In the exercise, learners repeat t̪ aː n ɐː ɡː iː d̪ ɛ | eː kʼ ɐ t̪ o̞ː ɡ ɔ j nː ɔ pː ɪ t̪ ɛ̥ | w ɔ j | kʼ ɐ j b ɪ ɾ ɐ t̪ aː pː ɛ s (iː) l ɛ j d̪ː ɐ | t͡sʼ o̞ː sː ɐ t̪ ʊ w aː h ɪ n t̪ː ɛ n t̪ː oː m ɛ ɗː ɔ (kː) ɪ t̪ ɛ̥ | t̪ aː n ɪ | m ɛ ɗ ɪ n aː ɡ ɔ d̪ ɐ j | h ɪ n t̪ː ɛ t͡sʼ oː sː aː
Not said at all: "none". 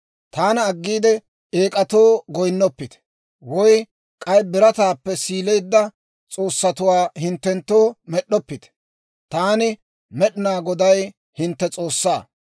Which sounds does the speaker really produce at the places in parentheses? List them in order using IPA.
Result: iː, pː

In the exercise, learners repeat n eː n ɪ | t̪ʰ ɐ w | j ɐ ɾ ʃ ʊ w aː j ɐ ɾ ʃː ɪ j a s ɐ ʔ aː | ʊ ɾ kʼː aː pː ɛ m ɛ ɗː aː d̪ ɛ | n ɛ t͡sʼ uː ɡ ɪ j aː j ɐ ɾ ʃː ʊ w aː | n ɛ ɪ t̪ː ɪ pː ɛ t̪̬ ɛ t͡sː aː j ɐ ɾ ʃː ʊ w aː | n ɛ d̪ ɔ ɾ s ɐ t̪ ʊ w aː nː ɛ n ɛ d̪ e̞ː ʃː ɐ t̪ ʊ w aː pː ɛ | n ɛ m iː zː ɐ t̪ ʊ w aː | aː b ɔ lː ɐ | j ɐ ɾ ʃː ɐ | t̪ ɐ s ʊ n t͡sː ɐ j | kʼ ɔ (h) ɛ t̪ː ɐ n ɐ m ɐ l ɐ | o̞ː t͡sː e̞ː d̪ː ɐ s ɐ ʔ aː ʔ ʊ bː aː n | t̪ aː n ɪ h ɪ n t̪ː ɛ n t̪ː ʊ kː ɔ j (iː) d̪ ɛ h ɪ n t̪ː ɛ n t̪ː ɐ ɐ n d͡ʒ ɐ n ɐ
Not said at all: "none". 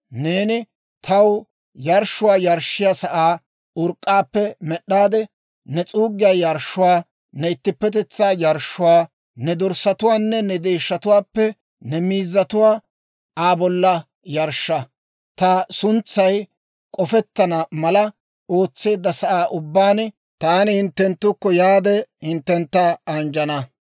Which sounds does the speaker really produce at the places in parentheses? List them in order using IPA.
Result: f, aː

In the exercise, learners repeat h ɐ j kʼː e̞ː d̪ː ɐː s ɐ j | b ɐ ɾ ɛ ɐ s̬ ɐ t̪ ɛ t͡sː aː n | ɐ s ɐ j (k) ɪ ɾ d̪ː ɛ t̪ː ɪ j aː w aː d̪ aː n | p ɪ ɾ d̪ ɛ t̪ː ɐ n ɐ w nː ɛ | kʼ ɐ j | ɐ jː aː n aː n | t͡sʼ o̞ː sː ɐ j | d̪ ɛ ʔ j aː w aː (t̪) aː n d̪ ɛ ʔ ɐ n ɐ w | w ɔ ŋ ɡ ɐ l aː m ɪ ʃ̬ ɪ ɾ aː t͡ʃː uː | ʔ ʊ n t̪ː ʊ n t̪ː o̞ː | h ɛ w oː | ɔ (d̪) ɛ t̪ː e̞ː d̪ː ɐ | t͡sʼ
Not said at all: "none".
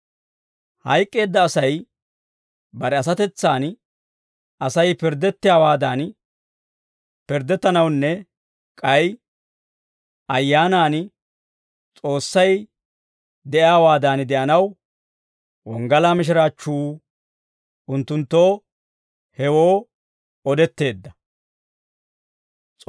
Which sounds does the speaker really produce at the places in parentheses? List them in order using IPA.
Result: p, d̪, d̪

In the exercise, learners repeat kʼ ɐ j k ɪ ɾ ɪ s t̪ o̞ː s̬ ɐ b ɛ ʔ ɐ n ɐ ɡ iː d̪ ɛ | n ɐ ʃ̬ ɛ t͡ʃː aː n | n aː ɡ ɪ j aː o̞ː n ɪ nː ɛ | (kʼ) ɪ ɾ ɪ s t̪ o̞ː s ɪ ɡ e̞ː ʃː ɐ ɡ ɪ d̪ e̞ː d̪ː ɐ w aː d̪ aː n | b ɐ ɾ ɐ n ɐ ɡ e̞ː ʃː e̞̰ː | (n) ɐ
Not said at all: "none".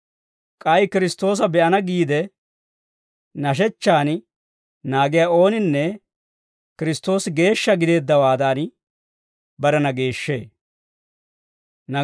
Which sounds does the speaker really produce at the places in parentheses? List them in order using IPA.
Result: k, n

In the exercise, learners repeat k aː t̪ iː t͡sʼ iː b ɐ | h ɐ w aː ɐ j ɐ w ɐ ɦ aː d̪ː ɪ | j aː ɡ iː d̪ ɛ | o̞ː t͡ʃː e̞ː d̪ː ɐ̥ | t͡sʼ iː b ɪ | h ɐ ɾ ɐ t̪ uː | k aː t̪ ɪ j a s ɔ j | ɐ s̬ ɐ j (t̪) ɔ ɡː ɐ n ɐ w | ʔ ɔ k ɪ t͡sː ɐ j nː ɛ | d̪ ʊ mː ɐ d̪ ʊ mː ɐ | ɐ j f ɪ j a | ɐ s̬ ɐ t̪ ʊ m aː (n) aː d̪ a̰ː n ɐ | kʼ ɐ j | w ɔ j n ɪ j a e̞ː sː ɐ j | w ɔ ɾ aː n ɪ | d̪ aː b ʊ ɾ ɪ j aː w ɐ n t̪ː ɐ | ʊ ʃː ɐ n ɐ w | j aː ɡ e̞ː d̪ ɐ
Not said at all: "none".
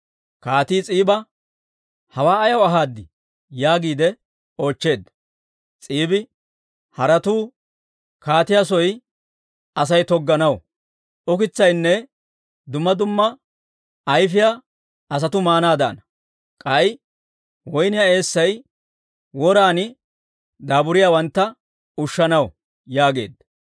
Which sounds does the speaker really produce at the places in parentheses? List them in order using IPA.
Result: t̪, n

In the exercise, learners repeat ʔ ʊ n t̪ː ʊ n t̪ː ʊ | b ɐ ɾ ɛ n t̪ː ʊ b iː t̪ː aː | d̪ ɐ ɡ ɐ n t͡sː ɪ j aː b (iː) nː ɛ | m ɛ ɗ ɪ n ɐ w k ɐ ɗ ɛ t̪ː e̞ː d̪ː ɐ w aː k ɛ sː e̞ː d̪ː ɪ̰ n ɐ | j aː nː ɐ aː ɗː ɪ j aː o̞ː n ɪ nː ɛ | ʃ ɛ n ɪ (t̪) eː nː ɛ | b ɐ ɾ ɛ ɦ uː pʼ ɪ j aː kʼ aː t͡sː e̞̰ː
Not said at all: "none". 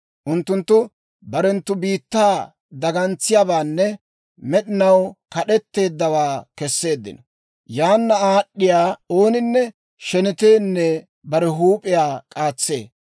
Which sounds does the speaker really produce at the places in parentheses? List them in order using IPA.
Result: aː, t̪

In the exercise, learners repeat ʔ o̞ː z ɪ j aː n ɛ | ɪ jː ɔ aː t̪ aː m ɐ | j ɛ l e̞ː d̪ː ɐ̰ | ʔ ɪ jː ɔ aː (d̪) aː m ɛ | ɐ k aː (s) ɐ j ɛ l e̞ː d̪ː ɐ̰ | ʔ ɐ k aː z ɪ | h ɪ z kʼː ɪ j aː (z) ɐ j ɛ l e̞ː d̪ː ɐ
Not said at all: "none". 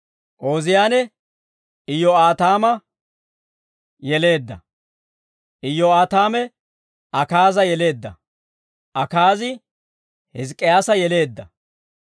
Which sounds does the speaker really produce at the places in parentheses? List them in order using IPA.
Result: t̪, z, s

